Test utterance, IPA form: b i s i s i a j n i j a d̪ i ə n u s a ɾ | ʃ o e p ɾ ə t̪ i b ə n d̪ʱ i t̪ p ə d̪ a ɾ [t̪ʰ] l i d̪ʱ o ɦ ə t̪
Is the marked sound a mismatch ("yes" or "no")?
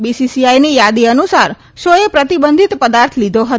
no